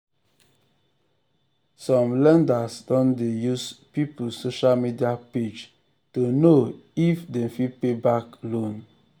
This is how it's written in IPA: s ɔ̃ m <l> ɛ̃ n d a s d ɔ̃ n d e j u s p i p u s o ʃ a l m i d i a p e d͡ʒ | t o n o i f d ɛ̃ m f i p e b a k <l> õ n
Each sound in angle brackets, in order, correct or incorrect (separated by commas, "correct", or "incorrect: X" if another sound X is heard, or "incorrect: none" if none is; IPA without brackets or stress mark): correct, correct